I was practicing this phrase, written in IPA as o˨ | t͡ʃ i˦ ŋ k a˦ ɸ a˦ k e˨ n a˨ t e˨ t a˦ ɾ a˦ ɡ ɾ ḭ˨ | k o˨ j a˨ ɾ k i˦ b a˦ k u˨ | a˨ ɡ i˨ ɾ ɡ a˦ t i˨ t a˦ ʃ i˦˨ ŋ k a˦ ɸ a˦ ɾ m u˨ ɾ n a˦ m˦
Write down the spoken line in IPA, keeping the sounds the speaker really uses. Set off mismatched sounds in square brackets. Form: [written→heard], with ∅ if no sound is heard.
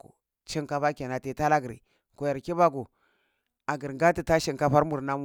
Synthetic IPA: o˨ | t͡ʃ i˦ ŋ k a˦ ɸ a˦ k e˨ n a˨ t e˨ t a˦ [ɾ→l] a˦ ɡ ɾ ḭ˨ | k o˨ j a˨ ɾ k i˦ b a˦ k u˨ | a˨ ɡ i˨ ɾ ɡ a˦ t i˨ t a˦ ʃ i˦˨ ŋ k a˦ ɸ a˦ ɾ m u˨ ɾ n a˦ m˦

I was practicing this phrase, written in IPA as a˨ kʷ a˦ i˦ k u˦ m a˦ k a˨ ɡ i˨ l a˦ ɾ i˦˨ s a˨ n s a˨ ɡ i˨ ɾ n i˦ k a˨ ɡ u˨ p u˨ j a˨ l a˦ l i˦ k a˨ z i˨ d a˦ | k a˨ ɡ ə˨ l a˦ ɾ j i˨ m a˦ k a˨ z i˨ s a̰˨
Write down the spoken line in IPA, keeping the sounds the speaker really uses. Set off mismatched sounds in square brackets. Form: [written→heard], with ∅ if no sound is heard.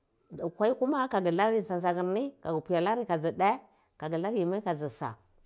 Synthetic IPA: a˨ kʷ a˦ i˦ k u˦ m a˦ k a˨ ɡ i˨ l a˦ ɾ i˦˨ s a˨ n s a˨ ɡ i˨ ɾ n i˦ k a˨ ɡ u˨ p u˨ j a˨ l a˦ [l→ɾ] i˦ k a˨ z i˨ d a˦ | k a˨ ɡ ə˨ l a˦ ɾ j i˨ m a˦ k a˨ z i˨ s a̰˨

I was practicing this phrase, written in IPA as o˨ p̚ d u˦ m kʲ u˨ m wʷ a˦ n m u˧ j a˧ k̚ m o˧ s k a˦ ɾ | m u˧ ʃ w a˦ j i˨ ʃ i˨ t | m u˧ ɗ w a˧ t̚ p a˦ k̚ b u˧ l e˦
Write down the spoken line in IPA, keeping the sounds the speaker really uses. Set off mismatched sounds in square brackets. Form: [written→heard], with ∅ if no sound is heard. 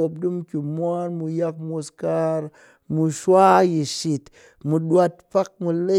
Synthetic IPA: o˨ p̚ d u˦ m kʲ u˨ m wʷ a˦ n m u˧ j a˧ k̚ m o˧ s k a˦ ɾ | m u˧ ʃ w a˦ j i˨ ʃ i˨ t | m u˧ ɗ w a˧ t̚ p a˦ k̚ [b→m] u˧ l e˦

